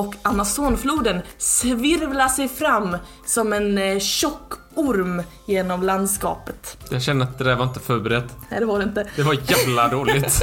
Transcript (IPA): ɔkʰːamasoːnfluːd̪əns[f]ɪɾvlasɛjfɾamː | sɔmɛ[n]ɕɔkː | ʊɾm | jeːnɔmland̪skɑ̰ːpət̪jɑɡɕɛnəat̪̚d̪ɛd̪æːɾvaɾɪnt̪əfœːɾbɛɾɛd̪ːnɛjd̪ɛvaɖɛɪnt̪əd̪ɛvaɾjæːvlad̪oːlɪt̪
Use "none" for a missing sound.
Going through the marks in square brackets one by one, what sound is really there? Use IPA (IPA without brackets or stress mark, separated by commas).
v, n